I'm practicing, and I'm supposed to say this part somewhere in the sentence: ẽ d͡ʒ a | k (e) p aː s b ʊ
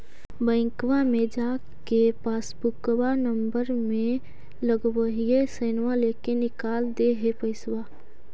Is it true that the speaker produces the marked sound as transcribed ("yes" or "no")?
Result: yes